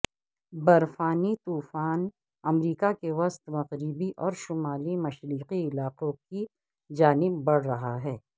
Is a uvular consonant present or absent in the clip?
present